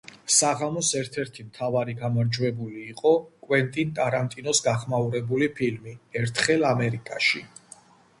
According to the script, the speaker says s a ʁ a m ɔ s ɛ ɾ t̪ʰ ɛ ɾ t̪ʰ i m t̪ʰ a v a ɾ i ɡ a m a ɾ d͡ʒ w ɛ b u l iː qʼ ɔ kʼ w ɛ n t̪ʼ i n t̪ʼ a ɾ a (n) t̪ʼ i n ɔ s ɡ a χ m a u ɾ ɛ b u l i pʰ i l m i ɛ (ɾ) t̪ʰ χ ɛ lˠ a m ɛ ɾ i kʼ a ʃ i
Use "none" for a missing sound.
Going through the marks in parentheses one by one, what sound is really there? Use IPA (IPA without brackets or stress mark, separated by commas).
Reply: n, ɾ